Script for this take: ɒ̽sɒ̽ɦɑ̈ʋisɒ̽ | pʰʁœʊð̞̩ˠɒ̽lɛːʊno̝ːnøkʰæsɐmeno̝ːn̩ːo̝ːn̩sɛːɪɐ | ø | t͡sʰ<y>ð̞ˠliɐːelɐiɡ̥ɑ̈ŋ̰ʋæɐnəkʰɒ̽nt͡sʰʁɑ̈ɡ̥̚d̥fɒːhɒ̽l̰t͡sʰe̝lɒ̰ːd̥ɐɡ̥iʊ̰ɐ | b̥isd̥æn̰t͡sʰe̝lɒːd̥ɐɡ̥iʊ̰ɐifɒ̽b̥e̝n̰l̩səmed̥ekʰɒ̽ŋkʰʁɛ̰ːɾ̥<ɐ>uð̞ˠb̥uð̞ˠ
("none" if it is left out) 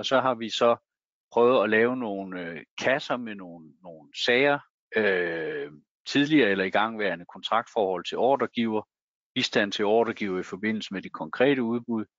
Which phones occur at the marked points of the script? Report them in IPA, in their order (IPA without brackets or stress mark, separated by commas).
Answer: i, ə